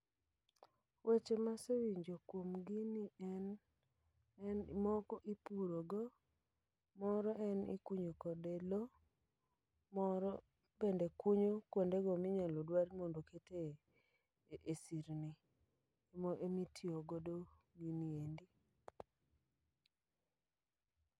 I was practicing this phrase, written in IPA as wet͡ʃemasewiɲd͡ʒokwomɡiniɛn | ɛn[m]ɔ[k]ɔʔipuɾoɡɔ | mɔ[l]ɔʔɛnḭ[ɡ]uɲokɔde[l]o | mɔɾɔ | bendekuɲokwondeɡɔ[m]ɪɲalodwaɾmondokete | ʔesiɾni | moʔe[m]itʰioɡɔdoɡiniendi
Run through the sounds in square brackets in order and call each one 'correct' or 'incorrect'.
correct, correct, incorrect: ɾ, incorrect: k, correct, correct, correct

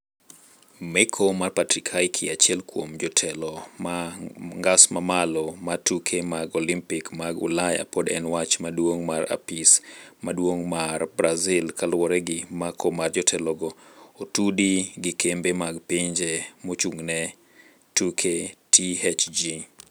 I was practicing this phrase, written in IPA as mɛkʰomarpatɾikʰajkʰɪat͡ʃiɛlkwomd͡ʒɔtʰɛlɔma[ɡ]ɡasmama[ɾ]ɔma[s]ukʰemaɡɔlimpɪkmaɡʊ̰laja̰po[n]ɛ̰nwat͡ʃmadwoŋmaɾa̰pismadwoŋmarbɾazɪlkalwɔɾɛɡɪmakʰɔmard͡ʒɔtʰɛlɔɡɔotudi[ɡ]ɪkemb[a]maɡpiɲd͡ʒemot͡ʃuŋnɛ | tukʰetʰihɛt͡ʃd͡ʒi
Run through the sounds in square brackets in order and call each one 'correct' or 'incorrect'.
incorrect: ŋ, incorrect: l, incorrect: t, incorrect: d, correct, incorrect: e

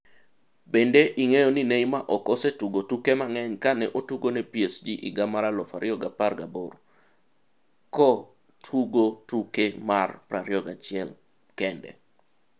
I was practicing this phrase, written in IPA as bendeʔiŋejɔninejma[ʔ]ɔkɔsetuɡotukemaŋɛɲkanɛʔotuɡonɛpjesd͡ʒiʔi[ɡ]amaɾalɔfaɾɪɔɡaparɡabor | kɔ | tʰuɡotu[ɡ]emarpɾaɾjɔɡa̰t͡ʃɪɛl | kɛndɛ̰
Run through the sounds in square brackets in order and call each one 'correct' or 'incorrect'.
correct, correct, incorrect: k

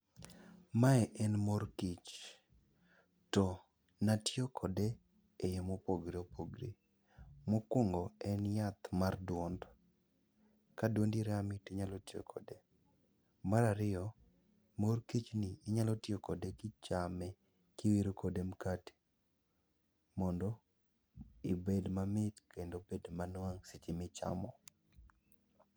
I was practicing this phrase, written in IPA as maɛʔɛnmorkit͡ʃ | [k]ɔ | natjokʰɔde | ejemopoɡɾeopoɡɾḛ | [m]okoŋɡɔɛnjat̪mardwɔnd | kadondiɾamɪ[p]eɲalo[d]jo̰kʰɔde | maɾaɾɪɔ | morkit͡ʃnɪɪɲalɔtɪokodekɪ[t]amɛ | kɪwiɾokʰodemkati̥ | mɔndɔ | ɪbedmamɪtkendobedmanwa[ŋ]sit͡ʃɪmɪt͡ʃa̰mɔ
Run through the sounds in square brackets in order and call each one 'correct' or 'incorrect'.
incorrect: t, correct, incorrect: t, incorrect: t, incorrect: t͡ʃ, correct

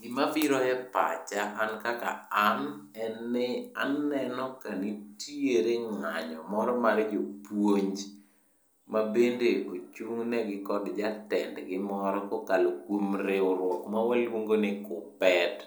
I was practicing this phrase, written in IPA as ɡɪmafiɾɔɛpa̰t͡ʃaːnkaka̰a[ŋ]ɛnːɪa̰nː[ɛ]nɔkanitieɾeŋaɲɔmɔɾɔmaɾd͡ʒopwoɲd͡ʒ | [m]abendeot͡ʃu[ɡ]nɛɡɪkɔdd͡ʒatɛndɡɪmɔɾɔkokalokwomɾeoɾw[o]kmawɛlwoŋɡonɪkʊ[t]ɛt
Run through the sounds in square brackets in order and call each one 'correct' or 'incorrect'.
incorrect: n, correct, correct, incorrect: ŋ, incorrect: ɔ, incorrect: p

